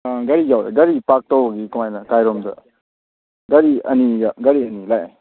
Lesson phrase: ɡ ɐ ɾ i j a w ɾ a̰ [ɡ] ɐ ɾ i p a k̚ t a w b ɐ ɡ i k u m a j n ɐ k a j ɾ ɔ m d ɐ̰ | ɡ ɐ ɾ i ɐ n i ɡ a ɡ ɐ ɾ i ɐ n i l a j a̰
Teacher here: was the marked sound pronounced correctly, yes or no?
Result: yes